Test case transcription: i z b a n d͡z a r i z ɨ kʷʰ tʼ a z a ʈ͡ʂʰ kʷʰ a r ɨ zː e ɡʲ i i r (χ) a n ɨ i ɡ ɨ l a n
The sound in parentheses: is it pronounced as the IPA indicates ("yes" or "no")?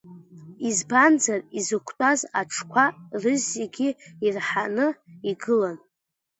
no